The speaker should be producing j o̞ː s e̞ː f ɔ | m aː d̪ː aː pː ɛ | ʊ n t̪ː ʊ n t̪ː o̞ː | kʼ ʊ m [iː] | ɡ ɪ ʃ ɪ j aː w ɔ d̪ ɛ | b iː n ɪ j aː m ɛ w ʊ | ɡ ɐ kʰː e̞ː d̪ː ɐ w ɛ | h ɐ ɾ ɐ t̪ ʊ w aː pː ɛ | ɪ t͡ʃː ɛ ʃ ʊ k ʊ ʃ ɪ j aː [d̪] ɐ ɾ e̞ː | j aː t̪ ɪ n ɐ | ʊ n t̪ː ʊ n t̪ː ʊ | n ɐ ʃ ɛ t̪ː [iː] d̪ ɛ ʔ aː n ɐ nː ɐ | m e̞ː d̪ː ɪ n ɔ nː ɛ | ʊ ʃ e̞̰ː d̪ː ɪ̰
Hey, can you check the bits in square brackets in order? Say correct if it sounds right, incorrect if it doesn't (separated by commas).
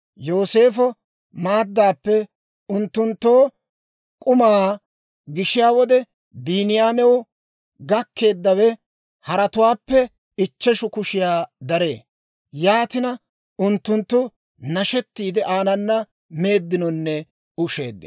incorrect, correct, correct